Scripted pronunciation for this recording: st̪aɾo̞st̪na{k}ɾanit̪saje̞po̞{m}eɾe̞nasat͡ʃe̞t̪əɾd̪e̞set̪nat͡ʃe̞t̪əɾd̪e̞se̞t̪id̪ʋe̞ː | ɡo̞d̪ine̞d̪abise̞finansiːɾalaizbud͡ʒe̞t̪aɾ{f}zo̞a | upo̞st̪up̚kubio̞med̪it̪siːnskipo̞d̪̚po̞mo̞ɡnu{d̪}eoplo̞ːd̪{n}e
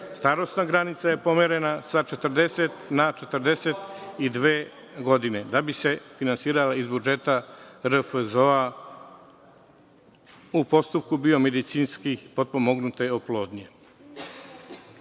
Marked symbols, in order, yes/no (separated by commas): no, yes, yes, no, no